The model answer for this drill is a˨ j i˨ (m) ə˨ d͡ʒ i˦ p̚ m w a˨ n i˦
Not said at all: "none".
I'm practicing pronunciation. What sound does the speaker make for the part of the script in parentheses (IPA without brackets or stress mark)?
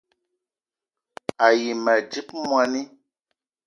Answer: m